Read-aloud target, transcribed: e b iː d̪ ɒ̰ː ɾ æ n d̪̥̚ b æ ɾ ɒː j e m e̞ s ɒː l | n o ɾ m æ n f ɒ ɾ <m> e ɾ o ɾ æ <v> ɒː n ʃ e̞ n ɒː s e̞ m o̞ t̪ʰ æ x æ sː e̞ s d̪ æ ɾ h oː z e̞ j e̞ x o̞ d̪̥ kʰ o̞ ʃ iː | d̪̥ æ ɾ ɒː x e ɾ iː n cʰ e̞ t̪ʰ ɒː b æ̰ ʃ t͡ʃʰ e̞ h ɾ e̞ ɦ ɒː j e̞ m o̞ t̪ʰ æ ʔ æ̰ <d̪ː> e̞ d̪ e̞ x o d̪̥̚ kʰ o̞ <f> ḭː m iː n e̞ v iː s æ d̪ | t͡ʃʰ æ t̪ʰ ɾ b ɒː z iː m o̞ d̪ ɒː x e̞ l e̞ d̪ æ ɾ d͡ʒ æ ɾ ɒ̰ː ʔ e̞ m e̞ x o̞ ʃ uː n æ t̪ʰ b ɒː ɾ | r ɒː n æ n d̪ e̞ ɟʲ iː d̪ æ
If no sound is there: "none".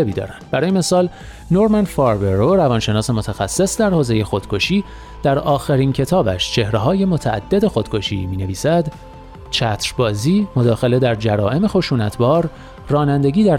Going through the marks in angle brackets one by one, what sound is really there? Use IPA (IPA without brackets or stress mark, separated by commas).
b, v, d̪ː, ʃ